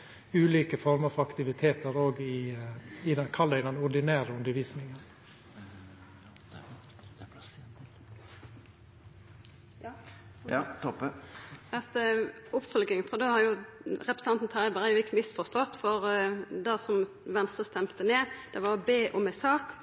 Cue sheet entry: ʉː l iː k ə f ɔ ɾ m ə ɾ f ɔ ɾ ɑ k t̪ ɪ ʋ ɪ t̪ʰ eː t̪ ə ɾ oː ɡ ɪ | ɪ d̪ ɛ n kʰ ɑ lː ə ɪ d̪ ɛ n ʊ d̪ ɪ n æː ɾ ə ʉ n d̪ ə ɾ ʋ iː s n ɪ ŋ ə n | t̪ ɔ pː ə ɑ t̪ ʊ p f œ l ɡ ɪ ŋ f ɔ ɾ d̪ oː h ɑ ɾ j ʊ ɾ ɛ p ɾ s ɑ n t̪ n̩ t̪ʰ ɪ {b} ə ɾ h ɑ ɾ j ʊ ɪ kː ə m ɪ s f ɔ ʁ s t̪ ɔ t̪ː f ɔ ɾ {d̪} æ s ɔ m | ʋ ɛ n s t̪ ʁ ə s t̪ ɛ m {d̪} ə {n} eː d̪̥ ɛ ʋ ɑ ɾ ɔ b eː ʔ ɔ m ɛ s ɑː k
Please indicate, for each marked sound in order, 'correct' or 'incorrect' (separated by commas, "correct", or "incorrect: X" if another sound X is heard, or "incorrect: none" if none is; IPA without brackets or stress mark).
correct, correct, incorrect: t̪, correct